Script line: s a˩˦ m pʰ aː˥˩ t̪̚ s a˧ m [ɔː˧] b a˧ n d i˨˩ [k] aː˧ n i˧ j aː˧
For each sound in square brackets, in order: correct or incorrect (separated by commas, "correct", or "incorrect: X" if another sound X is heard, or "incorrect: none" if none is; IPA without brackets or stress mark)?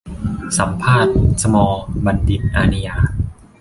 correct, incorrect: ʔ